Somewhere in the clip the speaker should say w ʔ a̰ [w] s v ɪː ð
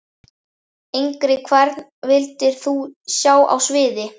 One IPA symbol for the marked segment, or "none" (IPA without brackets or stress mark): w